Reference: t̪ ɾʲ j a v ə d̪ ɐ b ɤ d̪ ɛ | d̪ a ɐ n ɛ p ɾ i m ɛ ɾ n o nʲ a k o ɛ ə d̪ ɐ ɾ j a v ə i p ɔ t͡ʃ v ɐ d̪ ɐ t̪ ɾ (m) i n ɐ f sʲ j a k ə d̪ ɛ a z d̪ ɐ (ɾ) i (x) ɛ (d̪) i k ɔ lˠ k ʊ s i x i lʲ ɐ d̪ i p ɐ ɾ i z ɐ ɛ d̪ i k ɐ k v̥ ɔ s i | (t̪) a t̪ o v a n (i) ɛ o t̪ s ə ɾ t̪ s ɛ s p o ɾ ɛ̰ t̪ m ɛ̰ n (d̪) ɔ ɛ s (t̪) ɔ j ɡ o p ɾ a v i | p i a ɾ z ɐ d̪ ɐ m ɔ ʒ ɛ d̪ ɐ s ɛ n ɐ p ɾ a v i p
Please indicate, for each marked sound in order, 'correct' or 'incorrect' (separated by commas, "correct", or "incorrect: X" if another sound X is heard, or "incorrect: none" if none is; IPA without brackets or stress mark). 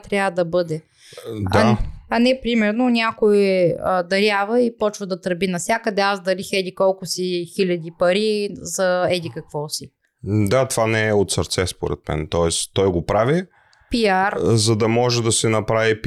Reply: incorrect: b, incorrect: l, correct, correct, incorrect: d̪, incorrect: ɛ, incorrect: t̪, correct